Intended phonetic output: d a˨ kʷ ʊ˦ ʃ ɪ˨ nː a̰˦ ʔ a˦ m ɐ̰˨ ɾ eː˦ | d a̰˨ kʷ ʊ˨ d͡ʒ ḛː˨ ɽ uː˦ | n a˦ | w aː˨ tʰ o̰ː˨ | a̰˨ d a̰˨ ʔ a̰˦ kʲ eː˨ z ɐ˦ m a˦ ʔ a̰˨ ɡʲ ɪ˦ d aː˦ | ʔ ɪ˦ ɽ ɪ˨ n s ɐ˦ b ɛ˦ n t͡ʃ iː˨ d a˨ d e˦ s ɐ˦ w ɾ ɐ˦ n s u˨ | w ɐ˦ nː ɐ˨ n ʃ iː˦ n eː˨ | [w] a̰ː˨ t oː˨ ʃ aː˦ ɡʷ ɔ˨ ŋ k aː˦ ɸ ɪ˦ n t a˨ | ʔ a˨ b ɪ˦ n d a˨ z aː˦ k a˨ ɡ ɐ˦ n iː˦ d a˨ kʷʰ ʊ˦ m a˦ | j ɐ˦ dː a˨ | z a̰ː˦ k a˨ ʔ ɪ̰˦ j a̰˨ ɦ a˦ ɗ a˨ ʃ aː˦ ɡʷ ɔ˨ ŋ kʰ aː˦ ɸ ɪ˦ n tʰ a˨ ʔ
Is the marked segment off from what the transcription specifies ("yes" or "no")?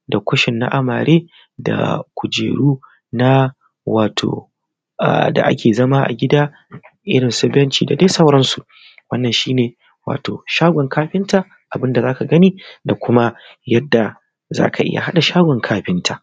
no